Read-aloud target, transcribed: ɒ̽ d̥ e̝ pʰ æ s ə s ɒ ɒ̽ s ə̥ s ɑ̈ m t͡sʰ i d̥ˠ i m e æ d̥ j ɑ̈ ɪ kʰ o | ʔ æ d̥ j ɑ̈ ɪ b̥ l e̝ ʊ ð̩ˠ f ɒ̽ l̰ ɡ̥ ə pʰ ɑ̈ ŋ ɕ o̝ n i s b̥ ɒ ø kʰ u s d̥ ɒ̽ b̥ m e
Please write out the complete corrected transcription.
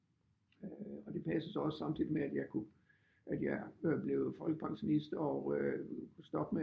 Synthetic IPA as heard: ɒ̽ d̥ e̝ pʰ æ s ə s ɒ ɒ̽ s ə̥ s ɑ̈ m t͡sʰ i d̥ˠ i m e æ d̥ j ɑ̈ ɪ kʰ u | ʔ æ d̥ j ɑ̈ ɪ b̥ l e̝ ʊ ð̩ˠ f ɒ̽ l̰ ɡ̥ ə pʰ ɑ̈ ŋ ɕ o̝ n i s d̥ ɒ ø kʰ u s d̥ ɒ̽ b̥ m e